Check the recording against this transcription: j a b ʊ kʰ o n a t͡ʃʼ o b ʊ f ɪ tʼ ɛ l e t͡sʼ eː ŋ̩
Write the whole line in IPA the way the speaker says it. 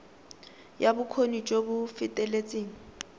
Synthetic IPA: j a b ʊ kʰ o n i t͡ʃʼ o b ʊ f ɪ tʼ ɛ l e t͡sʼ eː ŋ̩

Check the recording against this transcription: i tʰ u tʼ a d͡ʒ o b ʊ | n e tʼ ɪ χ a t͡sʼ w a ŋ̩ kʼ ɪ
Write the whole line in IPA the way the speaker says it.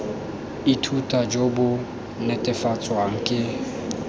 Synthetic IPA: i tʰ u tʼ a d͡ʒ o b ʊ | n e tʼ ɪ f a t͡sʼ w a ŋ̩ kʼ ɪ

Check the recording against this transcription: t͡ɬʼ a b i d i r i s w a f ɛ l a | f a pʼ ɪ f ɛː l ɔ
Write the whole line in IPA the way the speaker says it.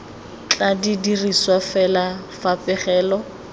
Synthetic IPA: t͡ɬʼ a d i d i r i s w a f ɛ l a | f a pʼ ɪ χ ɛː l ɔ

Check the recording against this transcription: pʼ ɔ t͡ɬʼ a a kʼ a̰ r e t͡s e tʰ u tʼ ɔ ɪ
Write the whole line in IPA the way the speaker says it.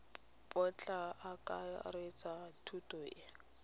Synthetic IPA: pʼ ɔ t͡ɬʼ a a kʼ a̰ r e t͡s a tʰ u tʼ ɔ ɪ

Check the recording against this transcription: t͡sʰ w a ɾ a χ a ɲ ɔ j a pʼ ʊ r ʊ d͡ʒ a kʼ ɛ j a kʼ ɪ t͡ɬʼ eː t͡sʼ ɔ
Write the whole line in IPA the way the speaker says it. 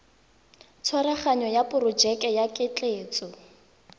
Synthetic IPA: t͡sʰ w a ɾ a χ a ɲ ɔ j a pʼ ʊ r ʊ d͡ʒ ɛ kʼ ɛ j a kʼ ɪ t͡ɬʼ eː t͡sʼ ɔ

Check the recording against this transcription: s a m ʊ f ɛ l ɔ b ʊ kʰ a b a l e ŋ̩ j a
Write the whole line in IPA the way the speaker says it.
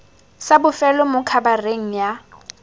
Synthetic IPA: s a b ʊ f ɛ l ɔ m ʊ kʰ a b a r e ŋ̩ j a

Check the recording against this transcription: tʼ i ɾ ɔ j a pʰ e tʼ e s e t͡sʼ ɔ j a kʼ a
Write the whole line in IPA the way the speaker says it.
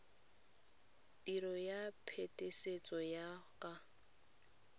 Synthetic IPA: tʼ i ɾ ɔ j a pʰ e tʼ e s e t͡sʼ ɔ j a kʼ a

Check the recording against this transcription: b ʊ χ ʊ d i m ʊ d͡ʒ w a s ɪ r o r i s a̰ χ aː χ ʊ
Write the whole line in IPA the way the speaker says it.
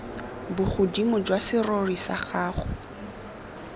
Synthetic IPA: b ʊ χ ʊ d i m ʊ d͡ʒ w a s ɪ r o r i s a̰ χ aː χ ʊ

